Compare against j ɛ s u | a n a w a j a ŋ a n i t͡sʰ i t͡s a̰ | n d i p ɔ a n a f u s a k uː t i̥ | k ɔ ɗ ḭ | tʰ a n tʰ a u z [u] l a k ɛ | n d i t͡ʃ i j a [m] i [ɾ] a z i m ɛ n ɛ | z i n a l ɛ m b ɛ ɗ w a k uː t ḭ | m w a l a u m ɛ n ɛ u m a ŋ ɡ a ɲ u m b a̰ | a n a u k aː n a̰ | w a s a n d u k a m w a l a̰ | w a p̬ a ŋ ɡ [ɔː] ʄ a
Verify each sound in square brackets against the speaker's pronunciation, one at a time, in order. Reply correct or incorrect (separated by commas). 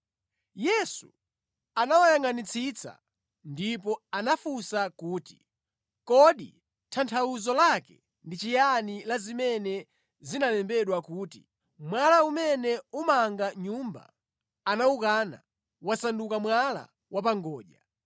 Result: incorrect, incorrect, incorrect, correct